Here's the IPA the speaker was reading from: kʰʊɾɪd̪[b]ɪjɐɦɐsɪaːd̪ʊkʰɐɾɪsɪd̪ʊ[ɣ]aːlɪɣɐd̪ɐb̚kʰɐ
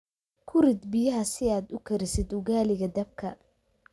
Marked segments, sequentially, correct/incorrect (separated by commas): correct, correct